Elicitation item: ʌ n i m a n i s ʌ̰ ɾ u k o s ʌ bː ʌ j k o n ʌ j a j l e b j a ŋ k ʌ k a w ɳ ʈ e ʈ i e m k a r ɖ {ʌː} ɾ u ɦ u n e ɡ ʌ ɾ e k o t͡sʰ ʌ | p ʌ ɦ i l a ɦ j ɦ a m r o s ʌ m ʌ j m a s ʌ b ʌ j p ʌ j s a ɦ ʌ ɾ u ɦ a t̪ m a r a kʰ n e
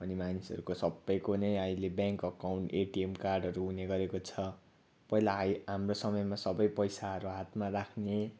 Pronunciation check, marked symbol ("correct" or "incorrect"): incorrect